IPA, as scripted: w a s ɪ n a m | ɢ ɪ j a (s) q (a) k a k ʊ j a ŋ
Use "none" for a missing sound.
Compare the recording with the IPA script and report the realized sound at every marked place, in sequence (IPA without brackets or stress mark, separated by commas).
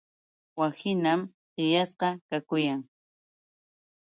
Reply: s, ɑ